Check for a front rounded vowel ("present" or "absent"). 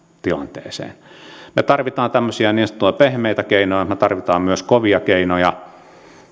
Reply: present